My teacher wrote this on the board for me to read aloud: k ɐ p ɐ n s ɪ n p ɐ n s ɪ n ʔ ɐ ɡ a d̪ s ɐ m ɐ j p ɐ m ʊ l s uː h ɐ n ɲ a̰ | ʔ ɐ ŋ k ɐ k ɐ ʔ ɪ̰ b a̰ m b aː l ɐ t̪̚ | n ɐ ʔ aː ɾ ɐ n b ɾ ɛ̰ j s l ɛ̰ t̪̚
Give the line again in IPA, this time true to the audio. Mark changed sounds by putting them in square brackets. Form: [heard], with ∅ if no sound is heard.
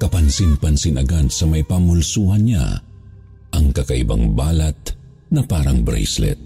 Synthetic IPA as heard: k ɐ p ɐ n s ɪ n p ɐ n s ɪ n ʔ ɐ ɡ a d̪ s ɐ m ɐ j p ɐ m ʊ l s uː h ɐ n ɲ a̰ | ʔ ɐ ŋ k ɐ k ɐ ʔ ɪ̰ b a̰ [ŋ] b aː l ɐ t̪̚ | n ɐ [p] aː ɾ ɐ [ŋ] b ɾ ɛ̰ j s l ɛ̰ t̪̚